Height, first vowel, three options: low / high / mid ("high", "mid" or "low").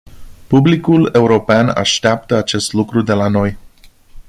high